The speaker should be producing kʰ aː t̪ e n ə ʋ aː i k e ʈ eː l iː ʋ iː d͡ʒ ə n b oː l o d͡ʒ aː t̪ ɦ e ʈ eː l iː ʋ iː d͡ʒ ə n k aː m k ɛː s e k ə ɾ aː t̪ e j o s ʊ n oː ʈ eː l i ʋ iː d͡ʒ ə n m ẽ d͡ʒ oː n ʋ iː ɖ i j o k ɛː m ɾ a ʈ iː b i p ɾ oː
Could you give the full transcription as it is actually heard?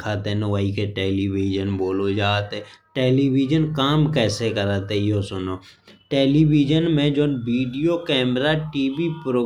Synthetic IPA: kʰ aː t̪ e n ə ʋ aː i k e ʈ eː l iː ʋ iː d͡ʒ ə n b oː l o d͡ʒ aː t̪ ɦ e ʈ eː l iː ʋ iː d͡ʒ ə n k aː m k ɛː s e k ə ɾ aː t̪ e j o s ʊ n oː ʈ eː l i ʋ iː d͡ʒ ə n m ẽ d͡ʒ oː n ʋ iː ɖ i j o k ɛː m ɾ a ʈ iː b i p ɾ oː